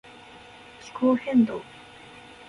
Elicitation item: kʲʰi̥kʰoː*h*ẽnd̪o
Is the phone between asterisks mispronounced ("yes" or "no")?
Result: no